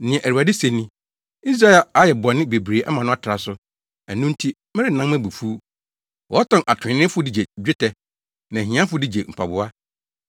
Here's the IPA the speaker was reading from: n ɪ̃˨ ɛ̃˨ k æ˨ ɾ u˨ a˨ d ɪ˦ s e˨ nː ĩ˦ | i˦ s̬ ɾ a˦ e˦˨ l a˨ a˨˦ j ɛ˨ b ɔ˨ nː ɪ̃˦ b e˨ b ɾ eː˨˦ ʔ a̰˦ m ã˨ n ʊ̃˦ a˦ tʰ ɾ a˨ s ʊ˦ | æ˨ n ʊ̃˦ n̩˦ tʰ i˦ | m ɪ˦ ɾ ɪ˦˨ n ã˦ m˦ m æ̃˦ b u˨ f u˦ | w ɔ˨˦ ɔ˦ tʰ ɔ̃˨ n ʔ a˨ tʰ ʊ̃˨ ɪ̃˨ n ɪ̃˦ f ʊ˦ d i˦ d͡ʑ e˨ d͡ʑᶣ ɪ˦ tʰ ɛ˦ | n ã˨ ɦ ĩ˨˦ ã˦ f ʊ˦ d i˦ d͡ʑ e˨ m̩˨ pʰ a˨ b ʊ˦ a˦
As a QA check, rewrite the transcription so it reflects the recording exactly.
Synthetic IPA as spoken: n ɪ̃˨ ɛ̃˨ ʔ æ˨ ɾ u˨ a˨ d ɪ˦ s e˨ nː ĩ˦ | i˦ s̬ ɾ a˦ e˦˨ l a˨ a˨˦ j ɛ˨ b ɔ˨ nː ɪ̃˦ b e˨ b ɾ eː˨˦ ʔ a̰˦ m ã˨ n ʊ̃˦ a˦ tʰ ɾ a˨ s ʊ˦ | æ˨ n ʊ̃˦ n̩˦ tʰ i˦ | m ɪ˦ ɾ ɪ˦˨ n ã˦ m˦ m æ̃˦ b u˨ f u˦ | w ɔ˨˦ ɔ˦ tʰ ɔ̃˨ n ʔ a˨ tʰ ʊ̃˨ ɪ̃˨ n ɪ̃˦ f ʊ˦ d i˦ d͡ʑ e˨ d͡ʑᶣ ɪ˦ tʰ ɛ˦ | n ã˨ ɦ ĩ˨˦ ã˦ f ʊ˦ d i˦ d͡ʑ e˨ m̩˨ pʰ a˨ b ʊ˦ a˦